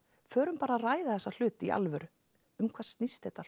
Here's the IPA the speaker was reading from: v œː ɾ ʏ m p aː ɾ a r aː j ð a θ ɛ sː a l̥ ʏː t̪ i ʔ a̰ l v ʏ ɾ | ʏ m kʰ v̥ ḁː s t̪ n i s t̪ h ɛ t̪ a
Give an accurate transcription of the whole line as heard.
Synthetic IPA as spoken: f œː ɾ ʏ m p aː ɾ a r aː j ð a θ ɛ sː a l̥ ʏː t̪ i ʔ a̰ l v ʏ ɾ | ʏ m kʰ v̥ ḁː s t̪ n i s t̪ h ɛ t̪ a

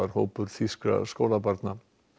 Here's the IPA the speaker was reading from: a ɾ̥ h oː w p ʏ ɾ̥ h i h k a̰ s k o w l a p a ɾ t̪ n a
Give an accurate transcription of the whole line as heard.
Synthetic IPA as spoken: a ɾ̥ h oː w p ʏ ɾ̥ θ i s k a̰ s k o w l a p a ɾ t̪ n a

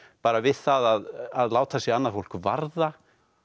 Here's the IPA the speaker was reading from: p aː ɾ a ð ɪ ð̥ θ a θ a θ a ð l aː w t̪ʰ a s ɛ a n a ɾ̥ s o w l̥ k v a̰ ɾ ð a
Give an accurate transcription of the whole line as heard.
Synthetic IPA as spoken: p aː ɾ a v ɪ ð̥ θ a ð a ð a ð l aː w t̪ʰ a s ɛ a nː a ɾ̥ f o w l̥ k v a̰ ɾ ð a

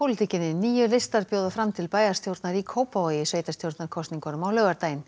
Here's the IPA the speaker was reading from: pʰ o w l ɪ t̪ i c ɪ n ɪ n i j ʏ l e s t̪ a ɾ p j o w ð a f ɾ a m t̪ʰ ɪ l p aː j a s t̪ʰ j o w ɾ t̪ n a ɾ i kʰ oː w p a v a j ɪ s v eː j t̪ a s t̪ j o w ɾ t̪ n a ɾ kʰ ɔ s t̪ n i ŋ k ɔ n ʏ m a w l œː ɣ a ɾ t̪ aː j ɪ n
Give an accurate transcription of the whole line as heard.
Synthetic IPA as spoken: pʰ o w l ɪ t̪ i c ɪ n ɪ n iː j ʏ l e s t̪ a ɾ p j o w ð a f ɾ a m t̪ʰ ɪ l p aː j a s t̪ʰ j o w ɾ t̪ n a ɾ i kʰ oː w p a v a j ɪ s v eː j t̪ a s t̪ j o w ɾ t̪ n a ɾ kʰ ɔ s t̪ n i ŋ k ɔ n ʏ m a w l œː ɣ a ɾ t̪ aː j ɪ n

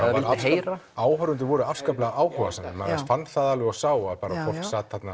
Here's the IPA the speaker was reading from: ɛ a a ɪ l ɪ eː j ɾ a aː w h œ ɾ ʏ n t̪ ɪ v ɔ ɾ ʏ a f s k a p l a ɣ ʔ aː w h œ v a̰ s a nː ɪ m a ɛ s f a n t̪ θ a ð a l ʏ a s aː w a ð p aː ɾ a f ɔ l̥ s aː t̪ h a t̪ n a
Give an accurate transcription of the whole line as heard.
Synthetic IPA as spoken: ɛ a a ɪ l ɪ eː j ɾ a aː w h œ ɾ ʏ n t̪ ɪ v ɔ ɾ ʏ a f s k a p l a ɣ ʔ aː w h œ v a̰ s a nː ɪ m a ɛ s f a n t̪ θ a ð a l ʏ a s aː w a ð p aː ɾ a f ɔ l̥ s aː t̪ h a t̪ n a

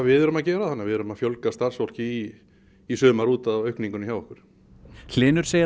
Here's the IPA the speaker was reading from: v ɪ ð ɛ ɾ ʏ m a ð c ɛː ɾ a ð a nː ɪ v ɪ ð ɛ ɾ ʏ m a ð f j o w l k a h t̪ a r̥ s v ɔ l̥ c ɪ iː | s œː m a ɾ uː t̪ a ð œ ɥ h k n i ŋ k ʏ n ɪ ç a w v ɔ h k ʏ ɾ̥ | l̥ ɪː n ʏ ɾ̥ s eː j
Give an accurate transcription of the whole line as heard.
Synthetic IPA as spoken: v ɪ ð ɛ ɾ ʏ m a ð c ɛː ɾ a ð a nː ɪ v ɪ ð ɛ ɾ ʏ m a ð f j o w l k a s t̪ a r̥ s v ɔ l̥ c ɪ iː | s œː m a ɾ uː t̪ a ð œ ɥ h k n i ŋ k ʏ n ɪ ç a w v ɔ h k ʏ ɾ̥ | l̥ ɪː n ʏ ɾ̥ s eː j

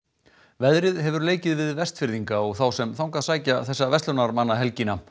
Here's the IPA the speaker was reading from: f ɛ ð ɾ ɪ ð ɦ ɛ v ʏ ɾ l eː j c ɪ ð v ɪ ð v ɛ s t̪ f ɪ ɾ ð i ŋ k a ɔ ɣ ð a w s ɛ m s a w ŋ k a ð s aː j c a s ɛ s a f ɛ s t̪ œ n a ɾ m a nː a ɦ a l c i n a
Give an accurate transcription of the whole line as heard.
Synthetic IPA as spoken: v ɛ ð ɾ ɪ ð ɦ ɛ v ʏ ɾ l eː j c ɪ ð v ɪ ð v ɛ s t̪ f ɪ ɾ ð i ŋ k a ɔ ɣ θ a w s ɛ m θ a w ŋ k a ð s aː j c a θ ɛ sː a v ɛ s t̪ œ n a ɾ m a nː a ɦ ɛ l c i n a

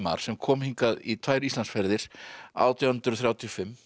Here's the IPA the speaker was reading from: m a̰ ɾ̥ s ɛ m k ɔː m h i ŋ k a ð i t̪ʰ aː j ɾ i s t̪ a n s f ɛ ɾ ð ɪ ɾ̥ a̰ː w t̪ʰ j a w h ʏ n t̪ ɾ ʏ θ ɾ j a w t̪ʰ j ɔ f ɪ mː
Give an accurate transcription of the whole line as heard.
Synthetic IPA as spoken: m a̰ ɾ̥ s ɛ m kʰ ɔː m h i ŋ k a ð i t̪ʰ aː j ɾ i s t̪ a n s f ɛ ɾ ð ɪ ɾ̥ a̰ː w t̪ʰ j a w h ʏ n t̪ ɾ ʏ θ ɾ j a w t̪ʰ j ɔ f ɪ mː

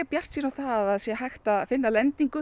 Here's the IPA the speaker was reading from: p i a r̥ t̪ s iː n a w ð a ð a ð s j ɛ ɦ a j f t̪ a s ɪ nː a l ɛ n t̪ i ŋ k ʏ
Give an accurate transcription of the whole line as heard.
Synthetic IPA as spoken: p j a r̥ t̪ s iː n a w θ a ð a ð s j ɛ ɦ a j x t̪ a f ɪ nː a l ɛ n t̪ i ŋ k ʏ

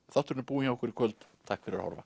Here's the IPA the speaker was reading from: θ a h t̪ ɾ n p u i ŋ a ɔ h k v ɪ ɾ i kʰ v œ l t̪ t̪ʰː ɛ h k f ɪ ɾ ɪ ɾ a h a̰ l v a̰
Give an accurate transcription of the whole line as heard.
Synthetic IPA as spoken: θ a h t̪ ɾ n p uː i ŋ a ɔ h k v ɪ ɾ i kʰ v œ l t̪ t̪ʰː a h k f ɪ ɾ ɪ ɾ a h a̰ ɾ v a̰

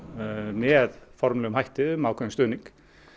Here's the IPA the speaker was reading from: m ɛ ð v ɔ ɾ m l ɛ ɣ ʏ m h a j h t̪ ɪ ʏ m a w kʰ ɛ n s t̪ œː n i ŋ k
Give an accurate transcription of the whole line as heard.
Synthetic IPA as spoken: m ɛ ð f ɔ ɾ m l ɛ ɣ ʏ m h a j h t̪ ɪ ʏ m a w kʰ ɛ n s t̪ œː n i ŋ k

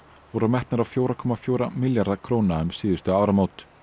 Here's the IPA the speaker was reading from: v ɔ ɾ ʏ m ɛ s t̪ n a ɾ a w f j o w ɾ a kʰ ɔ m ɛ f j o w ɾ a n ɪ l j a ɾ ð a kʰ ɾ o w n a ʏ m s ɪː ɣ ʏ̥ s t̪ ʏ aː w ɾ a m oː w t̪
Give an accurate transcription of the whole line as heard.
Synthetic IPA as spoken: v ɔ ɾ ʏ m ɛ h t̪ n a ɾ a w f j o w ɾ a kʰ ɔ m a f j o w ɾ a m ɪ l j a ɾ ð a kʰ ɾ o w n a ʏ m s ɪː ð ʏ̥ s t̪ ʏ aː w ɾ a m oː w t̪

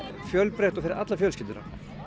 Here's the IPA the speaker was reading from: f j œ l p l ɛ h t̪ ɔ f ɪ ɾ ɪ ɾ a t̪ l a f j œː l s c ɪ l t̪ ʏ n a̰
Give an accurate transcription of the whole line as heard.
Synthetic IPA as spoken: f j œ l p ɾ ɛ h t̪ ɔ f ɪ ɾ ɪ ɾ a t̪ l a f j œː l s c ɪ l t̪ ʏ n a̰

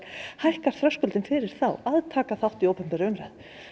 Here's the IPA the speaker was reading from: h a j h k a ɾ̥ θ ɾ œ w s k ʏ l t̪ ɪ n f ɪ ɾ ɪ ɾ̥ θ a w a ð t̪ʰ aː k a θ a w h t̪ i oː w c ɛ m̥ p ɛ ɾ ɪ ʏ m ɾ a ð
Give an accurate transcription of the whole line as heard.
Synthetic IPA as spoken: h a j h k a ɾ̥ θ ɾ œ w s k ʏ l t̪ ɪ n f ɪ ɾ ɪ ɾ̥ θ a w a ð t̪ʰ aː k a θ a w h t̪ i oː w p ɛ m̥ p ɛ ɾ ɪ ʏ m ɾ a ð

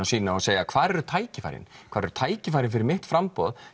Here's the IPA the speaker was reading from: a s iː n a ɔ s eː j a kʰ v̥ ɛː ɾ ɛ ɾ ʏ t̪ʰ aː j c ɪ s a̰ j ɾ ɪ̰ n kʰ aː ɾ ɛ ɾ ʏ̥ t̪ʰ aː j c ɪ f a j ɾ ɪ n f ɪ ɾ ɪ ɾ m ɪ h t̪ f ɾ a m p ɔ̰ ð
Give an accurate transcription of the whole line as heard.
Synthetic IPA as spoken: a s iː n a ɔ s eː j a kʰ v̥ aː ɾ ɛ ɾ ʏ t̪ʰ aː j c ɪ f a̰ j ɾ ɪ̰ n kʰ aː ɾ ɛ ɾ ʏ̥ t̪ʰ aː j c ɪ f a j ɾ ɪ n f ɪ ɾ ɪ ɾ m ɪ h t̪ f ɾ a m p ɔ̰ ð

